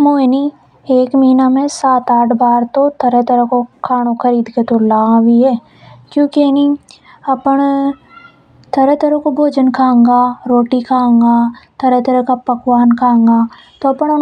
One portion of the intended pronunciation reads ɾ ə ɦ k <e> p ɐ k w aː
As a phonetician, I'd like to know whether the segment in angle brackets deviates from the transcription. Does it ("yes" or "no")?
yes